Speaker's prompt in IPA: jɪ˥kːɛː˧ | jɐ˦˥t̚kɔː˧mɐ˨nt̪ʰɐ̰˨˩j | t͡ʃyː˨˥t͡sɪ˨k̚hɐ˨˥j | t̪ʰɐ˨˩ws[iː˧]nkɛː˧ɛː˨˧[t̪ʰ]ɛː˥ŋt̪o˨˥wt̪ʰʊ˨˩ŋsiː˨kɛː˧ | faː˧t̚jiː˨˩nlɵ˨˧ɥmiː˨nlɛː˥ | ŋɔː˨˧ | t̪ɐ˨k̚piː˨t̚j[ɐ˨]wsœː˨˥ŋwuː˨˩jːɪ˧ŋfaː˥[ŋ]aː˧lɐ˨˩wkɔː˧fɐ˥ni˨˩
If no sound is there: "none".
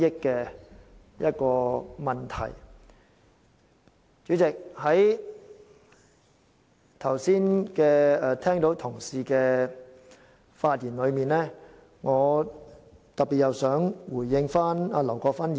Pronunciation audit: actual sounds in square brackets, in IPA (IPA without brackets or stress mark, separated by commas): iː˥, t̪ʰ, ɐ˨, n